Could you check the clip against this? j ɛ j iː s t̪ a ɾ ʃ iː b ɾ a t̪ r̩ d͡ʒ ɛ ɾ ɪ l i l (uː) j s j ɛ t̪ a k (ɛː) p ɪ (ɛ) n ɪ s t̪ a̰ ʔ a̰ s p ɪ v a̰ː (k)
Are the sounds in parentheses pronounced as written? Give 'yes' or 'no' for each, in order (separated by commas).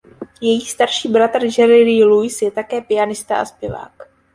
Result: no, yes, no, yes